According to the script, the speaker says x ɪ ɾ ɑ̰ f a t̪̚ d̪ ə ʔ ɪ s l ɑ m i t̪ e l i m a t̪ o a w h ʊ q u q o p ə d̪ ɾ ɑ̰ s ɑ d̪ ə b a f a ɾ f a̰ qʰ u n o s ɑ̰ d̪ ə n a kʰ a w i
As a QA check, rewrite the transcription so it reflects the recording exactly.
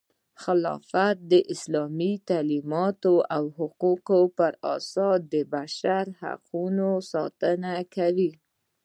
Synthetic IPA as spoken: x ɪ l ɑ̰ f a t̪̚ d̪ ə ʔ ɪ s l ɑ m i t̪ a l i m ɑ t̪ o a w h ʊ q u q o p ə ɾ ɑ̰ s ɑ d̪ ə b a ʃ a ɾ h a̰ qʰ u n o s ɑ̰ t̪ ə n a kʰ a w i